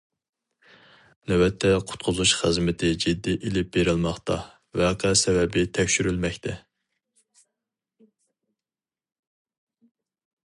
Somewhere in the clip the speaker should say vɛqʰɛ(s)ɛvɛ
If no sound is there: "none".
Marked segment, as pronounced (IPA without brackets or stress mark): s